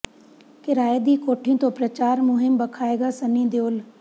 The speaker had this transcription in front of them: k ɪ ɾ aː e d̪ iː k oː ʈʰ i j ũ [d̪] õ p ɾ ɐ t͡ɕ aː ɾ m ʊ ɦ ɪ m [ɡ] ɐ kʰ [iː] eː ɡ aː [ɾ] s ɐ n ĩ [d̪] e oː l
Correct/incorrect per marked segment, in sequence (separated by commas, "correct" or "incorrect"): incorrect, incorrect, incorrect, incorrect, correct